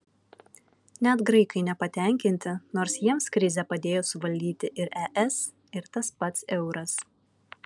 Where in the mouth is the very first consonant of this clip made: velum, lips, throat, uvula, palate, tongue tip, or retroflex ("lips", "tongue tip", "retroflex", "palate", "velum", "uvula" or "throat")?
tongue tip